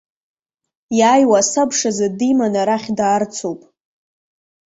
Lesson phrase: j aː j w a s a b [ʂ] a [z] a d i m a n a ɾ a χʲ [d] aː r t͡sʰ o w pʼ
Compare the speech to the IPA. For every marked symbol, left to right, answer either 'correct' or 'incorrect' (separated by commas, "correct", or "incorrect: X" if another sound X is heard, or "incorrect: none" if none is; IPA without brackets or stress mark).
correct, correct, correct